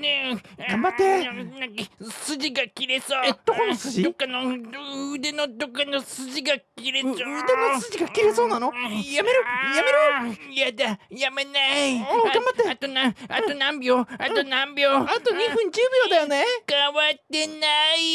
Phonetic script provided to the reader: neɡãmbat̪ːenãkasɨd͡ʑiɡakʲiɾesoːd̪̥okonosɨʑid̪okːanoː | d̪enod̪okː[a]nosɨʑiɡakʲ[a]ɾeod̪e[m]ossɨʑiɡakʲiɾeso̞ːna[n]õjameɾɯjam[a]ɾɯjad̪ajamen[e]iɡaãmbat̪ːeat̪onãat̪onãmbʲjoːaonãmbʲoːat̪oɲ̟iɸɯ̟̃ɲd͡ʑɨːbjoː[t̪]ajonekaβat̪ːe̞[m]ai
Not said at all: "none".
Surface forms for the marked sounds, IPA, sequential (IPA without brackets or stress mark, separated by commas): a, i, n, n, e, a, d̪, n